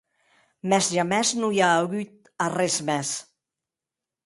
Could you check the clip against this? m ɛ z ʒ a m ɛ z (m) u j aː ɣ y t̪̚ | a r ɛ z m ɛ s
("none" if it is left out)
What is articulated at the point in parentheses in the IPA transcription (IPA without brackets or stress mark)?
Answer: n